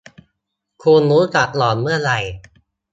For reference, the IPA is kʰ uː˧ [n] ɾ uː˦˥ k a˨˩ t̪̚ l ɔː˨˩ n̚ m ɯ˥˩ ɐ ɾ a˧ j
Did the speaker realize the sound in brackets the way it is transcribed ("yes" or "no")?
yes